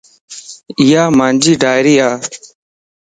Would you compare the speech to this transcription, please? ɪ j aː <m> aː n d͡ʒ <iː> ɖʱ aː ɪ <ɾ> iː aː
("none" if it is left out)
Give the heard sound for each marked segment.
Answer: m, iː, ɾ

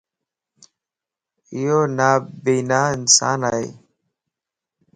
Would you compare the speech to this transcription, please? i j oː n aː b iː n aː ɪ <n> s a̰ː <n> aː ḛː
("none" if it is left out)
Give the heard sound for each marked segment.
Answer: n, n

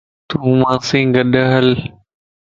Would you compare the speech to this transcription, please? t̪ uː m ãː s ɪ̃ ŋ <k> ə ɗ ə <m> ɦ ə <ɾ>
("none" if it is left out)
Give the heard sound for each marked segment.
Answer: ɡ, none, l

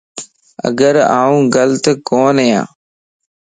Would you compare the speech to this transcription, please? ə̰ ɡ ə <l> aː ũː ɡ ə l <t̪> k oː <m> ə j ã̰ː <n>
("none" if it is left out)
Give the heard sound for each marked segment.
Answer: ɾ, t̪, n, none

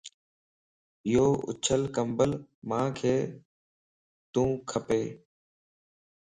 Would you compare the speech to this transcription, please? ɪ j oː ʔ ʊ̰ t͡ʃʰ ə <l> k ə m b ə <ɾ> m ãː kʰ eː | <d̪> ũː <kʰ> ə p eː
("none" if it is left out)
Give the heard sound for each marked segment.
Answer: l, l, t̪, kʰ

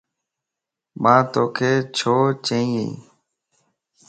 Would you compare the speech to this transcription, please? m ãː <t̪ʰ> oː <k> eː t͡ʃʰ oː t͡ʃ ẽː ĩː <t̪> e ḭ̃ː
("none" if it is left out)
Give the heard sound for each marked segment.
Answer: t̪, kʰ, none

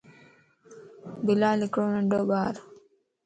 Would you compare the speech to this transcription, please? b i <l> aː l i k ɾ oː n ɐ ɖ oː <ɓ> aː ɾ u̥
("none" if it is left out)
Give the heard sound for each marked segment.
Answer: l, b

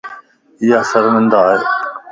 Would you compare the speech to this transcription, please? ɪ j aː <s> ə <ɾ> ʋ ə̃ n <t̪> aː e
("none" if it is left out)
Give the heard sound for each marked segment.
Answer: s, ɾ, d̪

